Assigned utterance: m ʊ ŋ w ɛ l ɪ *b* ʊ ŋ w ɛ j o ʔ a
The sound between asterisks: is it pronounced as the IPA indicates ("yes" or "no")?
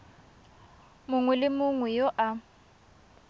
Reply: no